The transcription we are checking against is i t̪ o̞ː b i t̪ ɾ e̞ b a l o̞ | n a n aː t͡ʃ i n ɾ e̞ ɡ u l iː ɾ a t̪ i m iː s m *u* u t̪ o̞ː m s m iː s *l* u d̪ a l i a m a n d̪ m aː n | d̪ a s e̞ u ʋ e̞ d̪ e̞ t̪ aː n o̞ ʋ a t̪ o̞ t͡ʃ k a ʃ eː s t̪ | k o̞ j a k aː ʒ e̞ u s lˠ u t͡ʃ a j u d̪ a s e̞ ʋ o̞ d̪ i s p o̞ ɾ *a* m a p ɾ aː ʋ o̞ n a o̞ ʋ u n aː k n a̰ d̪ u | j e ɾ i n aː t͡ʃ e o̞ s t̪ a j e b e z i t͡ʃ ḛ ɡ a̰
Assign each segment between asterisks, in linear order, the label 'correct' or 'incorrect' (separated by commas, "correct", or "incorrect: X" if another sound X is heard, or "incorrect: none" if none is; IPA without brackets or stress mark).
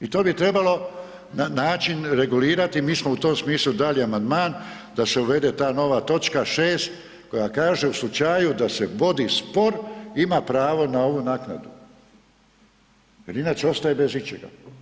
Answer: incorrect: o, correct, incorrect: i